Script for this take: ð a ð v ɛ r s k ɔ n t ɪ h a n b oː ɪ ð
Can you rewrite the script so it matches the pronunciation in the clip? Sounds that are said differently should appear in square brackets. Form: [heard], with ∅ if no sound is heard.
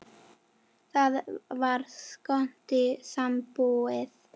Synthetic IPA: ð a ð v [a] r s k ɔ n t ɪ [s] a [m] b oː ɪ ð